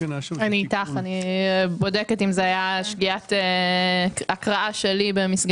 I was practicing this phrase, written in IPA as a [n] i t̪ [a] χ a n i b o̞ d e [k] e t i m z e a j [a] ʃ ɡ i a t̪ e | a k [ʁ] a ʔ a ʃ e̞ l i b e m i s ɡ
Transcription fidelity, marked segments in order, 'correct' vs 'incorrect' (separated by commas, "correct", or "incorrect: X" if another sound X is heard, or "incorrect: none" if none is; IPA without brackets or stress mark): correct, correct, correct, correct, correct